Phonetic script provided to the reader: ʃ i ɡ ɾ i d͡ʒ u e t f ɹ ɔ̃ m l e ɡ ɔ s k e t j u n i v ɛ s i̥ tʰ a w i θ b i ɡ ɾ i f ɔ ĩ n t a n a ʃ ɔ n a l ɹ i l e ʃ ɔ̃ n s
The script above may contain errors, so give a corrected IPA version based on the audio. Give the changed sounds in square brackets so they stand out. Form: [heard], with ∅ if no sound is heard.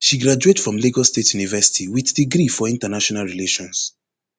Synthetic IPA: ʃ i ɡ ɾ [a] d͡ʒ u e t f ɹ ɔ̃ m l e ɡ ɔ s [t] e t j u n i v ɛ s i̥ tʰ [i] w i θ [d] i ɡ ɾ i f ɔ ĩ n t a n a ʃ ɔ n a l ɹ i l e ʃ ɔ̃ n s